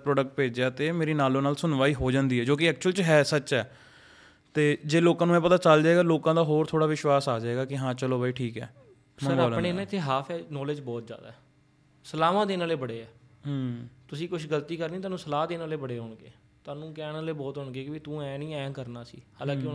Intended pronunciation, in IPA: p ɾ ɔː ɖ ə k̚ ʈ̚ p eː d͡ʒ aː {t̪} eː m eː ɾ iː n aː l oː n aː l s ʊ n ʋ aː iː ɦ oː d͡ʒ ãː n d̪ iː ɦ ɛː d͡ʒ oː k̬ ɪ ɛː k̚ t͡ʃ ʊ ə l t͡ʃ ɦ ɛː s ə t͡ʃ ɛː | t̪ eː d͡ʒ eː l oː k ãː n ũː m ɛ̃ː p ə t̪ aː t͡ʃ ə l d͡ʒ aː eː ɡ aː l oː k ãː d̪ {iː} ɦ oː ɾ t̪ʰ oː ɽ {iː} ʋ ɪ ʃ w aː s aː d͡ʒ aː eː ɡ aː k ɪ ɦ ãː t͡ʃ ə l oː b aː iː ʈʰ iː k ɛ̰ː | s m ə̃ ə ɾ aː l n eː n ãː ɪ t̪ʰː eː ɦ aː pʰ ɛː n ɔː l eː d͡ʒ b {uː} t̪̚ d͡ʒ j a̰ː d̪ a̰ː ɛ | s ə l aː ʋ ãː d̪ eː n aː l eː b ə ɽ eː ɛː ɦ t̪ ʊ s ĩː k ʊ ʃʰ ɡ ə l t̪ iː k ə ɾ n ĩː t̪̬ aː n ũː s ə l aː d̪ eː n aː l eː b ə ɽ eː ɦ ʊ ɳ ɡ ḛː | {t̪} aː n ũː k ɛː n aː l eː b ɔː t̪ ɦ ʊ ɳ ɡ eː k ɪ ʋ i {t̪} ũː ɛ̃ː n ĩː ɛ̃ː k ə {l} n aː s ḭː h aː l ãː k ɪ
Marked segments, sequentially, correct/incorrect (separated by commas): correct, incorrect, incorrect, incorrect, correct, correct, incorrect